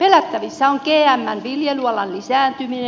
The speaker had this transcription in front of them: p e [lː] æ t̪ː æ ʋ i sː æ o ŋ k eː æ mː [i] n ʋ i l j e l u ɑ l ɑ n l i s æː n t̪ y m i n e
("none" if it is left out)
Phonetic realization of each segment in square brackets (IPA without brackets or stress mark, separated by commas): l, æ